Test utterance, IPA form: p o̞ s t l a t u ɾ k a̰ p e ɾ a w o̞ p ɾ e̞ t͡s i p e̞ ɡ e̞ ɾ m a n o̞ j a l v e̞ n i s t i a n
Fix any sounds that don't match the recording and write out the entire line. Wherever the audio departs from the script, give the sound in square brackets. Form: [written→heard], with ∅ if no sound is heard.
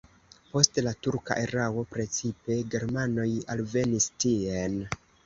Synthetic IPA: p o̞ s t l a t u ɾ k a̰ [p→ʔ] e ɾ a w o̞ p ɾ e̞ t͡s i p e̞ ɡ e̞ ɾ m a n o̞ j a l v e̞ n i s t i [a→e] n